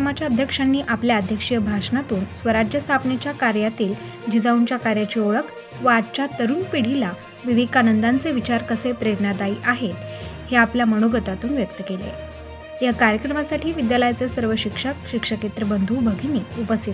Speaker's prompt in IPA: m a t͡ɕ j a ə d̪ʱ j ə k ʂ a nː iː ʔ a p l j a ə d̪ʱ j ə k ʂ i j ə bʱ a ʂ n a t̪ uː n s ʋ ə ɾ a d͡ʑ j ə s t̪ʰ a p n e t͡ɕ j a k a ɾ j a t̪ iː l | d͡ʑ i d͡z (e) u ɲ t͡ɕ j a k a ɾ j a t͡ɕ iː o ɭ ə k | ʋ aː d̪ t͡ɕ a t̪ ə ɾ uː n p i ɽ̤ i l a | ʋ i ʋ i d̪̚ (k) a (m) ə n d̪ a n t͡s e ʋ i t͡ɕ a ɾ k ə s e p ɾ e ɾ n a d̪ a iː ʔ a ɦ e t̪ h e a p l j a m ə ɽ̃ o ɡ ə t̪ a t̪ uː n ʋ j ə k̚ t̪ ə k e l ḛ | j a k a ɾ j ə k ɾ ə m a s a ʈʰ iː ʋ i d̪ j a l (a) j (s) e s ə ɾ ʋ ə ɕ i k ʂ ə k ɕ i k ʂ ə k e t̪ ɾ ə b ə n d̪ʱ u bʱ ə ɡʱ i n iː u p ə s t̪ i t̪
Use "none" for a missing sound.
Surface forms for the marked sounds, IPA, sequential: a, k, n, ə, t͡s

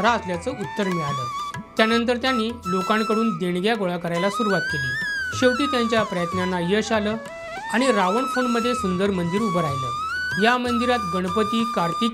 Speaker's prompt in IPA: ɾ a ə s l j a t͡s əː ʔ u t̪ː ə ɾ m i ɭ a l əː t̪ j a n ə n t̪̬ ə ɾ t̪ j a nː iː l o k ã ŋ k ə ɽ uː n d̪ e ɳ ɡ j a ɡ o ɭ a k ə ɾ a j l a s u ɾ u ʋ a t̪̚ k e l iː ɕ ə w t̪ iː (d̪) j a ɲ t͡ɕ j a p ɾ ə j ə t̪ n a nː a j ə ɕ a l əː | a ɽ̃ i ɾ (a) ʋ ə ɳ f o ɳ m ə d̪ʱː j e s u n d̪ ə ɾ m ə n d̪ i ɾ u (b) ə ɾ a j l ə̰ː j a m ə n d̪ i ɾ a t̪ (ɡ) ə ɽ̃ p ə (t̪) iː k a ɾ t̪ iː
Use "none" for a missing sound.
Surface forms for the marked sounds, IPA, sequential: t̪, a, b, ɡ, t̪

